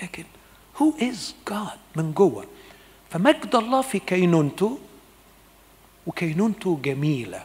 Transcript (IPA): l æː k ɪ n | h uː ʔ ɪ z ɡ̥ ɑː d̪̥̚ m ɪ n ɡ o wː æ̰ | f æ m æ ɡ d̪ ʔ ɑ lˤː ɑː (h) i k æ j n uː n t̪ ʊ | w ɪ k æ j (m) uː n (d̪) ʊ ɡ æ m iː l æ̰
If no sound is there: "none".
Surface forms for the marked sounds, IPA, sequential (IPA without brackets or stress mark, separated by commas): f, n, t̪